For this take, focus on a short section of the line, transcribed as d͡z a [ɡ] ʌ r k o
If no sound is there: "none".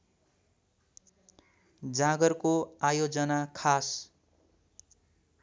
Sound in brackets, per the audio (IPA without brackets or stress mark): ɡ